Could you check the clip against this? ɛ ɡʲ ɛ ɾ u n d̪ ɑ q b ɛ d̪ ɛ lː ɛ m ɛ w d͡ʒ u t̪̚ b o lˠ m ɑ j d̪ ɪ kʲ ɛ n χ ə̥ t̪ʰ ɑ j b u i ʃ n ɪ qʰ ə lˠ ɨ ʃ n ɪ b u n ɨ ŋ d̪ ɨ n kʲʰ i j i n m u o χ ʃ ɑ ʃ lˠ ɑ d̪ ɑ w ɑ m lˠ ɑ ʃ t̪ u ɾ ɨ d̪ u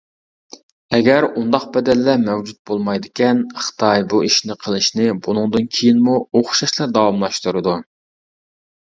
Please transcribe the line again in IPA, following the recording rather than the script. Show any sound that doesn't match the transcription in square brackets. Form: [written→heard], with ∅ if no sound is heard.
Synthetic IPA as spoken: ɛ ɡʲ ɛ ɾ u n d̪ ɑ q b ɛ d̪ ɛ lː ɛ m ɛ w d͡ʒ u t̪̚ b o lˠ m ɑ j d̪ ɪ kʲ ɛ n χ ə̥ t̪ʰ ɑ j b u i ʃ n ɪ qʰ ə lˠ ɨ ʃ n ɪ b u n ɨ ŋ d̪ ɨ n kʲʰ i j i n m u o χ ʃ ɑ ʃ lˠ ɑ d̪ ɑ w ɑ m lˠ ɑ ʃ t̪ u ɾ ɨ d̪ u